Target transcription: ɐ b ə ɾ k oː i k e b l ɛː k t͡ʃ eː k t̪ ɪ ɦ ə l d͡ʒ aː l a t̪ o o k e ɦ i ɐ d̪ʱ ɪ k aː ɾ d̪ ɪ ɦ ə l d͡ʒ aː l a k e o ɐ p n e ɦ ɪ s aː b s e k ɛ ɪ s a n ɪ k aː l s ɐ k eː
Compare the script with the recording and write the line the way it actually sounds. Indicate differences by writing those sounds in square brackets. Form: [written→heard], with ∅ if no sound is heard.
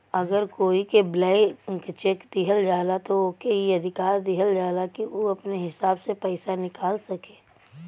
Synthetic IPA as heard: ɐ [b→ɡ] ə ɾ k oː i k e b l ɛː k t͡ʃ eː k [t̪→d̪] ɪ ɦ ə l d͡ʒ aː l a t̪ o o k e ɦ i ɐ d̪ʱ ɪ k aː ɾ d̪ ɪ ɦ ə l d͡ʒ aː l a k [e→i] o ɐ p n e ɦ ɪ s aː b s e [k→p] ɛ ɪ s a n ɪ k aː l s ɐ k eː